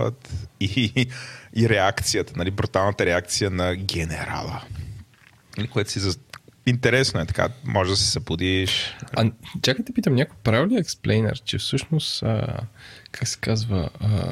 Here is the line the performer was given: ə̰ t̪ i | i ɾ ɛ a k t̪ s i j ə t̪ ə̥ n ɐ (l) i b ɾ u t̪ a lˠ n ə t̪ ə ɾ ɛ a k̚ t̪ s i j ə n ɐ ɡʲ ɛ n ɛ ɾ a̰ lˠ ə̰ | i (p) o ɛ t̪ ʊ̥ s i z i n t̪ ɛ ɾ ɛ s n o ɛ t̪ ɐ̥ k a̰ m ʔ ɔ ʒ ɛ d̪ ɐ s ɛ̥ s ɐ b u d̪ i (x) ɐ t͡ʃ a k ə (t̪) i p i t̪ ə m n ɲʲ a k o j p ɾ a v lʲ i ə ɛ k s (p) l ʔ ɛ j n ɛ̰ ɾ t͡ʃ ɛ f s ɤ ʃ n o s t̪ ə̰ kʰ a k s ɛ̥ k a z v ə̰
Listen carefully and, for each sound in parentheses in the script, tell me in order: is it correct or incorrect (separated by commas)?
correct, incorrect, incorrect, correct, correct